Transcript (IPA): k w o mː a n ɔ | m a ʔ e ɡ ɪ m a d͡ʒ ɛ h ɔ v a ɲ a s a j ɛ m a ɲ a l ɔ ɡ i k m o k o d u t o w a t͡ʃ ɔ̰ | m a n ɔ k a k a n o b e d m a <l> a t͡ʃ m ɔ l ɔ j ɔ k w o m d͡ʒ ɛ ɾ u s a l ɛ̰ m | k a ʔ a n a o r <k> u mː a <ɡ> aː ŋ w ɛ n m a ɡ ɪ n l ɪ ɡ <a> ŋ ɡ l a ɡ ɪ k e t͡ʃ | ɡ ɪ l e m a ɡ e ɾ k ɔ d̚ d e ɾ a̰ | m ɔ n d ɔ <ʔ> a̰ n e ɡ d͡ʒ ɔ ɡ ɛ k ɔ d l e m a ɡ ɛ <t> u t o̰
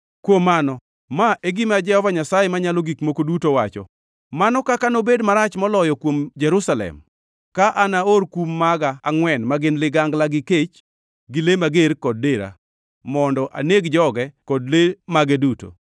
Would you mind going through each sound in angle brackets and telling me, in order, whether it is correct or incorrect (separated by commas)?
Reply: incorrect, correct, correct, correct, correct, incorrect